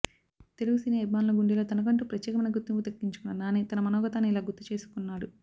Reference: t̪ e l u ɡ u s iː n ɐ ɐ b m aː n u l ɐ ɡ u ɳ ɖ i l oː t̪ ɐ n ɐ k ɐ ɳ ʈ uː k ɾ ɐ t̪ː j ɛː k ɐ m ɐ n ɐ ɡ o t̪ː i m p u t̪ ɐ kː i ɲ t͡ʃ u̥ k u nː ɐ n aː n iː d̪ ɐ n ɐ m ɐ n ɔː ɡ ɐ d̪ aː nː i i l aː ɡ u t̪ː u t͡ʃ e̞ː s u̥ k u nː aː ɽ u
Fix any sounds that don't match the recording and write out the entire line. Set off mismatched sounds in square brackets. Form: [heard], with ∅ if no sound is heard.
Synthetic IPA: t̪ e l u ɡ u s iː n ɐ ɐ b m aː n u l ɐ ɡ u ɳ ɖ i l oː t̪ ɐ n ɐ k ɐ ɳ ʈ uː [p] ɾ ɐ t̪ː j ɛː k ɐ m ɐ n ɐ ɡ [u] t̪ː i m p u t̪ ɐ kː i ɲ t͡ʃ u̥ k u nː ɐ n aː n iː [t̪] ɐ n ɐ m ɐ n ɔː ɡ ɐ [t̪] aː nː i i l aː ɡ u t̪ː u t͡ʃ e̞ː s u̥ k u nː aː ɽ u